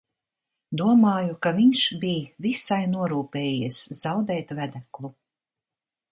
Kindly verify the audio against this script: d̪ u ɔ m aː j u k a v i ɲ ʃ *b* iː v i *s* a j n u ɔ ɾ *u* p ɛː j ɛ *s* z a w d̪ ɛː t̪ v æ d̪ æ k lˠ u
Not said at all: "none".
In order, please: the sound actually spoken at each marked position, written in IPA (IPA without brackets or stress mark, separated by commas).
b, s, uː, s